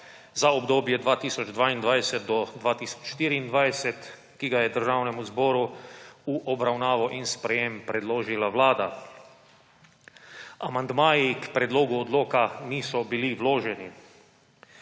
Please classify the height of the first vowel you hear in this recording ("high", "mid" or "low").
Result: low